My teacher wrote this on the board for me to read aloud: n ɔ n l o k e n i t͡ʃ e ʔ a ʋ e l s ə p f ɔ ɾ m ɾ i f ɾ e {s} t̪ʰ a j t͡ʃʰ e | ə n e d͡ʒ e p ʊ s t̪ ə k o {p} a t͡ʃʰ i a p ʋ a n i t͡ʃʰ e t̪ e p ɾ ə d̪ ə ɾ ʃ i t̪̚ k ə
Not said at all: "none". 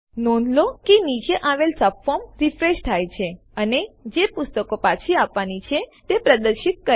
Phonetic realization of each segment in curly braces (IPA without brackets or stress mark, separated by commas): ʃ, p